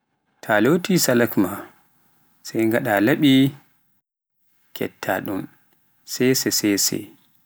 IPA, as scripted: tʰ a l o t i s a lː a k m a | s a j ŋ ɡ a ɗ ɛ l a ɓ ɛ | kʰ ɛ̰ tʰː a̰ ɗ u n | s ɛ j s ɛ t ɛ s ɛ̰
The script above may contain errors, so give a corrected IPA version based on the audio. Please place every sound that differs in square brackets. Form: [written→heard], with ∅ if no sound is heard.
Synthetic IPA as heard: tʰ a l o t i s a [lː→l] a k m a | s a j ŋ ɡ a ɗ [ɛ→a] l a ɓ [ɛ→i] | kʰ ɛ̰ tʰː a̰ ɗ u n | s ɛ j s ɛ [t→s] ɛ s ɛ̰

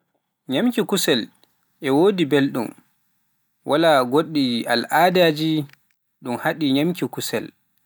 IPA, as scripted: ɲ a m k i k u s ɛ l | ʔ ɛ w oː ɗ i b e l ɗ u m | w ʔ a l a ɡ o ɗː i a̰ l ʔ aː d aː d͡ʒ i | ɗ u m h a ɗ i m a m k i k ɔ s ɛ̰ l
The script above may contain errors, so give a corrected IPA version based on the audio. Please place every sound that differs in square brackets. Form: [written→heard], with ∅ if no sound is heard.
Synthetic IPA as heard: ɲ a m k i k u s ɛ l | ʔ ɛ w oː [ɗ→d] i b e l ɗ u m | w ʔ a l a ɡ o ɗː i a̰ l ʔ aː d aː d͡ʒ i | ɗ u m h a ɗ i [m→ɲ] a m k i k [ɔ→u] s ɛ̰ l

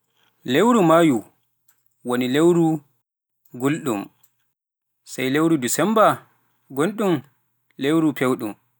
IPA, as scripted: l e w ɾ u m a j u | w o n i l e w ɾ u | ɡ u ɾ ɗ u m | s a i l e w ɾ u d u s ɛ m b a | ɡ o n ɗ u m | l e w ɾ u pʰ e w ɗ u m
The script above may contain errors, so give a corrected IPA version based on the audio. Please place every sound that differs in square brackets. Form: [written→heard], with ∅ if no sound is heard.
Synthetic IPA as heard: l e w ɾ u m a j u | w o n i l e w ɾ u | ɡ u [ɾ→l] ɗ u m | s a [i→j] l e w ɾ u d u s ɛ m b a | ɡ o n ɗ u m | l e w ɾ u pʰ e w ɗ u m

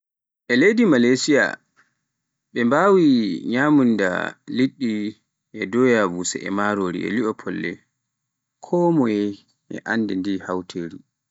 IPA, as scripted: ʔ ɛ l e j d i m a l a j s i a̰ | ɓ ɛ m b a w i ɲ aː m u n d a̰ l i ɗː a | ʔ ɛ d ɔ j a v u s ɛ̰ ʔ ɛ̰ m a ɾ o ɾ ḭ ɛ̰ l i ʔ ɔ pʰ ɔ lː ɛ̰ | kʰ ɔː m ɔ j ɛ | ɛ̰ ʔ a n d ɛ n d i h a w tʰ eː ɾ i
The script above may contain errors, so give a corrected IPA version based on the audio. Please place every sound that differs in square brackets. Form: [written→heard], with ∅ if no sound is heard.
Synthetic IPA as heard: ʔ ɛ l e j d i m a l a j s i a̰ | ɓ ɛ m b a w i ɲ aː m u n d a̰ l i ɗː [a→i] | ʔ ɛ d ɔ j a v u s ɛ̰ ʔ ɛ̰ m a ɾ o ɾ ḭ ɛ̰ l i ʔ ɔ pʰ ɔ lː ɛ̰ | kʰ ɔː m ɔ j ɛ | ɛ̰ ʔ a n d ɛ n d i h a w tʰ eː ɾ i

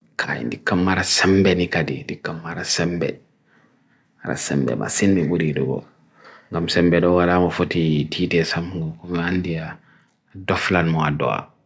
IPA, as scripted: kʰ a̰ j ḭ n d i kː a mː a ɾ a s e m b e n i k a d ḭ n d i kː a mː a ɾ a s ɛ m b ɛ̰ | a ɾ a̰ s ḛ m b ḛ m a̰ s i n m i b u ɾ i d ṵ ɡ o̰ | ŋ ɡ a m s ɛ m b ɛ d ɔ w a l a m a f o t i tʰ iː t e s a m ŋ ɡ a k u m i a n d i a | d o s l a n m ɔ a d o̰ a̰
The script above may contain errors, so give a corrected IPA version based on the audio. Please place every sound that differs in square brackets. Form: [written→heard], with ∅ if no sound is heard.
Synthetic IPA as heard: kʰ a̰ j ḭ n d i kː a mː a ɾ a s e m b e n i k a d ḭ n d i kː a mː a ɾ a s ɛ m b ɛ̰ | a ɾ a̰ s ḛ m b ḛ m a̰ s i n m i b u ɾ i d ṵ ɡ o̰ | ŋ ɡ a m s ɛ m b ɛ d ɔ w a l a m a f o t i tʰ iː t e s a m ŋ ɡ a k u m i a n d i a | d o [s→f] l a n m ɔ a d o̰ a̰

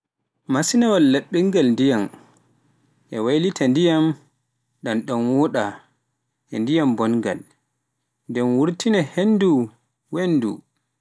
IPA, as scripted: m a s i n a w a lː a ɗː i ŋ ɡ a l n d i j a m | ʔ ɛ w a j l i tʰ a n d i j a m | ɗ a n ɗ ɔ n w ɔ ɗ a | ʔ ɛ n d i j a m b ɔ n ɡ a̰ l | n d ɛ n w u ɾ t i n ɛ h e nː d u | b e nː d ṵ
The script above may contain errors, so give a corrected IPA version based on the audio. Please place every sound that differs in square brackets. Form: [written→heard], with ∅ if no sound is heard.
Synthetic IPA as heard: m a s i n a w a lː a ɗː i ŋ ɡ a l n d i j a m | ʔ ɛ w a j l i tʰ a n d i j a m | ɗ a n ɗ ɔ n w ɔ ɗ a | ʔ ɛ n d i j a m b ɔ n ɡ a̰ l | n d ɛ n w u ɾ t i n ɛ h e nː d u | [b→w] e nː d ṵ

